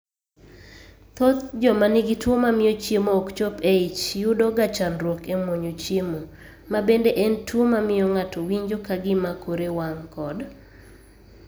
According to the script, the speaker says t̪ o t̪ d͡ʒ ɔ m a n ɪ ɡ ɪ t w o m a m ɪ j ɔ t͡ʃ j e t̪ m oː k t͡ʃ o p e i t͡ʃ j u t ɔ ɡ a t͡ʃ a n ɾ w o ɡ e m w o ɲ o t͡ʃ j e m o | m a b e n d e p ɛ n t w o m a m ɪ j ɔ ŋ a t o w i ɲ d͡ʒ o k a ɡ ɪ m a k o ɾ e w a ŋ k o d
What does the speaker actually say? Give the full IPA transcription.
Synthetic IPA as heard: t̪ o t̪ d͡ʒ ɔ m a n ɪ ɡ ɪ t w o m a m ɪ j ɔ t͡ʃ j e m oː k t͡ʃ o p e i t͡ʃ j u d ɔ ɡ a t͡ʃ a n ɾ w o k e m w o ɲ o t͡ʃ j e m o | m a b e n d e ʔ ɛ n t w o m a m ɪ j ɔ ŋ a t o w i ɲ d͡ʒ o k a ɡ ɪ m a k o ɾ e w a ŋ k ɔ d

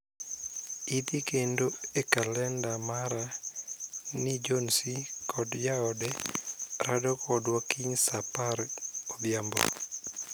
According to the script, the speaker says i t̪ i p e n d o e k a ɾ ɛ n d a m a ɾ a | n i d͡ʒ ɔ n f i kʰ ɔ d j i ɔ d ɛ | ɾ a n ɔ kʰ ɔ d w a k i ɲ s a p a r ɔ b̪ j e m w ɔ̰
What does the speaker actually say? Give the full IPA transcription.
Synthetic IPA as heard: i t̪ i k e n d o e k a l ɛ n d a m a ɾ a | n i d͡ʒ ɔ n s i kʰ ɔ d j a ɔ d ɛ | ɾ a d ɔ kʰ ɔ d w a k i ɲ s a p a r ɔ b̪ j a m b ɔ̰

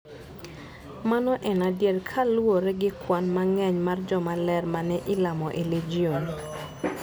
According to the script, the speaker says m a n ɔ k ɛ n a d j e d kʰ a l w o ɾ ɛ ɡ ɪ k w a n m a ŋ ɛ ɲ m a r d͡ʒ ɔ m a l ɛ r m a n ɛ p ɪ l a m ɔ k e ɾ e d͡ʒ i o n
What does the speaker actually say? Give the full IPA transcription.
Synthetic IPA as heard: m a n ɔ ʔ ɛ n a d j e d kʰ a l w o ɾ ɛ ɡ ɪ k w a n m a ŋ ɛ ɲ m a r d͡ʒ ɔ m a l ɛ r m a n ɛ ʔ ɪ l a m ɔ ʔ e l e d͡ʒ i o n

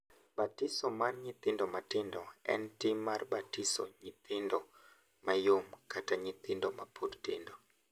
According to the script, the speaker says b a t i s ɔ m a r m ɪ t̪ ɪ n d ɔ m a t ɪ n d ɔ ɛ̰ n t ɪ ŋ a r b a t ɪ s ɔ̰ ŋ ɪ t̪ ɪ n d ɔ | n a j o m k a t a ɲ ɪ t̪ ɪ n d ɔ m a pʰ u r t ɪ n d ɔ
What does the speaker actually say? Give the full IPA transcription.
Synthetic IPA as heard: b a t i s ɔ m a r ɲ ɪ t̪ ɪ n d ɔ m a t ɪ n d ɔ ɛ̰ n t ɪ m a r b a t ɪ s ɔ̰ ɲ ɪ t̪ ɪ n d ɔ | m a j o m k a t a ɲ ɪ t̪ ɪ n d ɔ m a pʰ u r t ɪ n d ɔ

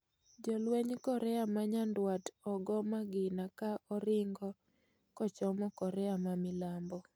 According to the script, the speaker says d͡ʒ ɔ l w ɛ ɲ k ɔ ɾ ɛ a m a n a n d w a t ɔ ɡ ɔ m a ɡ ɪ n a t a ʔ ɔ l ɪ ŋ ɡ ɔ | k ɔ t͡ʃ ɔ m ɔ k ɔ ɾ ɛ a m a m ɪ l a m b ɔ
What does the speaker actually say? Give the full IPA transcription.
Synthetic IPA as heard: d͡ʒ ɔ l w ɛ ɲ k ɔ ɾ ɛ a m a ɲ a n d w a t ɔ ɡ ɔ m a ɡ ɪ n a k a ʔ ɔ ɾ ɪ ŋ ɡ ɔ | k ɔ t͡ʃ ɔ m ɔ k ɔ ɾ ɛ a m a m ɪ l a m b ɔ

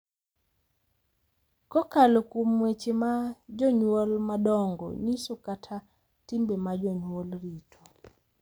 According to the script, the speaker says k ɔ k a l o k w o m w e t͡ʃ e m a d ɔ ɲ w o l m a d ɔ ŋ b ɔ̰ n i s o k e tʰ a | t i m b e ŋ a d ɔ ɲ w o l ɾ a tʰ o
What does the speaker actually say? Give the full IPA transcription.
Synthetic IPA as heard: k ɔ k a l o k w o m w e t͡ʃ e m a d͡ʒ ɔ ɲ w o l m a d ɔ ŋ ɡ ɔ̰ ɲ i s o k a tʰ a | t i m b e m a d͡ʒ ɔ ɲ w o l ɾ i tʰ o

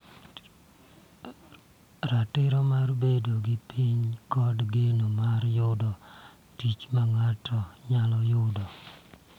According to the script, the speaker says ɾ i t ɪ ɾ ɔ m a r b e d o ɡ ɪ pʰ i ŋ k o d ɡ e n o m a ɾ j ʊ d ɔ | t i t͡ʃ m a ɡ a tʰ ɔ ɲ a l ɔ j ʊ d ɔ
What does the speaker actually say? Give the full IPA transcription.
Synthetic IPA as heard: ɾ a t ɪ ɾ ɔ m a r b e d o ɡ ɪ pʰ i ɲ k ɔ d ɡ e n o m a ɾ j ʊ d ɔ | t i t͡ʃ m a ŋ a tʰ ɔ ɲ a l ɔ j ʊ d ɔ

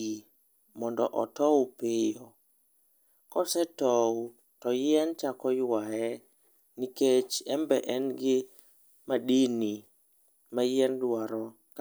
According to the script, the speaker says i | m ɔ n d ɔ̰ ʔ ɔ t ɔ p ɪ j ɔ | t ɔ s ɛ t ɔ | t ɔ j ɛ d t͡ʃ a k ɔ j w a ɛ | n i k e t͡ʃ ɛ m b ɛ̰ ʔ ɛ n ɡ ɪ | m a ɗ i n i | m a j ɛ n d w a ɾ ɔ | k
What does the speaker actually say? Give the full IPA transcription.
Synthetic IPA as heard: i | m ɔ n d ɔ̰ ʔ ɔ t ɔ p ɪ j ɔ | k ɔ s ɛ t ɔ | t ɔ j ɛ n t͡ʃ a k ɔ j w a ɛ | n i k e t͡ʃ ɛ m b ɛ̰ ʔ ɛ n ɡ ɪ | m a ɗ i n i | m a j ɛ n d w a ɾ ɔ | k

